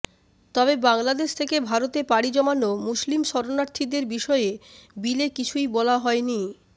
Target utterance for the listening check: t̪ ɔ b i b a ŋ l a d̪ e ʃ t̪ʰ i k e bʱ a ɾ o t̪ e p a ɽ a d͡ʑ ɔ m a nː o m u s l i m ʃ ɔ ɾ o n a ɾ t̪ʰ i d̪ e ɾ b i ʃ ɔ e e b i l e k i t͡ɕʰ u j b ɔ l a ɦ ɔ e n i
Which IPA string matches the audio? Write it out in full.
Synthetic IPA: t̪ ɔ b e b a ŋ l a d̪ e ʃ t̪ʰ e k e bʱ a ɾ o t̪ e p a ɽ i d͡ʑ ɔ m a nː o m u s l i m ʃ ɔ ɾ o n a ɾ t̪ʰ i d̪ e ɾ b i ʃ ɔ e e b i l e k i t͡ɕʰ u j b ɔ l a ɦ ɔ e n i

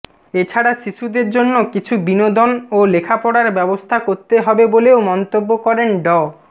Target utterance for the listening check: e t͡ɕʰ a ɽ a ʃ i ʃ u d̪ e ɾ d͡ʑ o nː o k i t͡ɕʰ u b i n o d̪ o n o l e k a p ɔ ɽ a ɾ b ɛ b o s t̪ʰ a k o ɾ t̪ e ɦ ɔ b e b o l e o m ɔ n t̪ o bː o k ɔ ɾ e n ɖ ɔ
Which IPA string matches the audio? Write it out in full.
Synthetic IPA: e t͡ɕʰ a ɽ a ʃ i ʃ u d̪ e ɾ d͡ʑ o nː o k i t͡ɕʰ u b i n o d̪ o n o l e kʰ a p ɔ ɽ a ɾ b ɛ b o s t̪ʰ a k o ɾ t̪ e ɦ ɔ b e b o l e o m ɔ n t̪ o bː o k ɔ ɾ e n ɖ ɔ

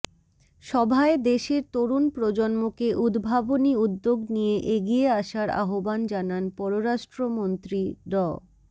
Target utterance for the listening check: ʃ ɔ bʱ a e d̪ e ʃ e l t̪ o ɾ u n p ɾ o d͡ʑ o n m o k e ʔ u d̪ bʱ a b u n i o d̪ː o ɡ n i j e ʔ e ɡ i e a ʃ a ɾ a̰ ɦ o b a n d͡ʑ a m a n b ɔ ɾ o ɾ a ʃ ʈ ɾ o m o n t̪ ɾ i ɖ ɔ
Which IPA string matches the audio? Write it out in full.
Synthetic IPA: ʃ ɔ bʱ a e d̪ e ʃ e ɾ t̪ o ɾ u n p ɾ o d͡ʑ o n m o k e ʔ u d̪ bʱ a b o n i u d̪ː o ɡ n i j e ʔ e ɡ i e a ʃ a ɾ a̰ ɦ o b a n d͡ʑ a n a n p ɔ ɾ o ɾ a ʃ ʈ ɾ o m o n t̪ ɾ i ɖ ɔ

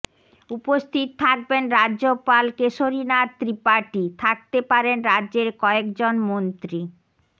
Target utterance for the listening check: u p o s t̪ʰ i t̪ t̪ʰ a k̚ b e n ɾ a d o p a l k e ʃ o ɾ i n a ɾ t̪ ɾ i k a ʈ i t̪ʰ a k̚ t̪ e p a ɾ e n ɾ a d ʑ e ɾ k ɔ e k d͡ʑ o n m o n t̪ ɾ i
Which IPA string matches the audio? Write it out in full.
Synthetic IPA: u p o s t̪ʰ i t̪ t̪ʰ a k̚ b e n ɾ a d o p a l k e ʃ o ɾ i n a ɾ t̪ ɾ i p a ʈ i t̪ʰ a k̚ t̪ e p a ɾ e n ɾ a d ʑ e ɾ k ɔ e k d͡ʑ o n m o n t̪ ɾ i

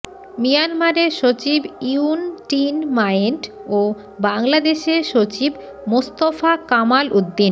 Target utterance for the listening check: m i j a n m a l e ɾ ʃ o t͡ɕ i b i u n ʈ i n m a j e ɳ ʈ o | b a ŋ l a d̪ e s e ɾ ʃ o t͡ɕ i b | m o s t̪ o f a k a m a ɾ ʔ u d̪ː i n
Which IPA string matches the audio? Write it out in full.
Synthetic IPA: m i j a n m a ɾ e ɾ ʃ o t͡ɕ i b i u n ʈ i n m a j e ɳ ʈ o | b a ŋ l a d̪ e ʃ e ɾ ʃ o t͡ɕ i b | m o s t̪ o f a k a m a l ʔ u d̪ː i n

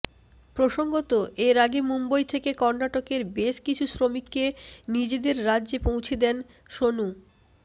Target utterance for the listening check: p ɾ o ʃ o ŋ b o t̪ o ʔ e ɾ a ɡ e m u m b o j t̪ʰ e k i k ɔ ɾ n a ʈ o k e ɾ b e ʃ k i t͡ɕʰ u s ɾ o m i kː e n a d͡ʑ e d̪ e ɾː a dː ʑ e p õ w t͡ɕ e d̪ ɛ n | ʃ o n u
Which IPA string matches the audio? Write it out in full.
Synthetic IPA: p ɾ o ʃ o ŋ ɡ o t̪ o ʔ e ɾ a ɡ e m u m b o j t̪ʰ e k e k ɔ ɾ n a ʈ o k e ɾ b e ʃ k i t͡ɕʰ u s ɾ o m i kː e n i d͡ʑ e d̪ e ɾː a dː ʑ e p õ w t͡ɕʰ e d̪ ɛ n | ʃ o n u

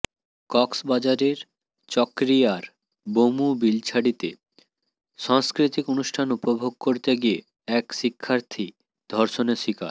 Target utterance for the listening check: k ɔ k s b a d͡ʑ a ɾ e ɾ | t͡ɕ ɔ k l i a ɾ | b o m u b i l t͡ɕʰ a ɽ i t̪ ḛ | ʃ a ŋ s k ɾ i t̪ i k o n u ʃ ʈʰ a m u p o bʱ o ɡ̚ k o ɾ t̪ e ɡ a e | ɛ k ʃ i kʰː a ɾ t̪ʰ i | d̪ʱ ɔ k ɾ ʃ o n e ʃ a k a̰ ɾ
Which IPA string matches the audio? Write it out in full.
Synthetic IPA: k ɔ k s b a d͡ʑ a ɾ e ɾ | t͡ɕ ɔ k ɾ i a ɾ | b o m u b i l t͡ɕʰ a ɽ i t̪ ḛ | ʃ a ŋ s k ɾ i t̪ i k o n u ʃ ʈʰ a n u p o bʱ o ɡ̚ k o ɾ t̪ e ɡ i e | ɛ k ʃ i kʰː a ɾ t̪ʰ i | d̪ʱ ɔ ɾ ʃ o n e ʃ i k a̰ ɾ

